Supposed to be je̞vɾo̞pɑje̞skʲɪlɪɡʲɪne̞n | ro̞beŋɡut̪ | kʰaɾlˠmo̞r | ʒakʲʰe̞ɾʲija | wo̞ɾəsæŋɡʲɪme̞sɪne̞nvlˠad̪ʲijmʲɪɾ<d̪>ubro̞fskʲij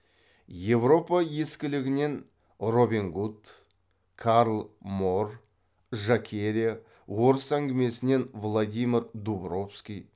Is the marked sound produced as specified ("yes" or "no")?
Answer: yes